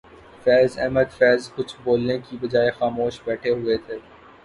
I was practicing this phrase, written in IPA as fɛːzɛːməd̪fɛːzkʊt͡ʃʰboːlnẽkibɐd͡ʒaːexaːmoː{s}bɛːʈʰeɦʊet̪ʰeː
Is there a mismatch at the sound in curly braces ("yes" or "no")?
yes